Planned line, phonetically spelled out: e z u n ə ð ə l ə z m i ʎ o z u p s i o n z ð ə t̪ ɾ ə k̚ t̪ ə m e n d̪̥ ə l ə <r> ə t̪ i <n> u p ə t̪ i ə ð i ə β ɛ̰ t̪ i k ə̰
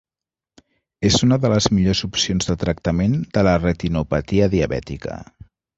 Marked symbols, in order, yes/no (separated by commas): yes, yes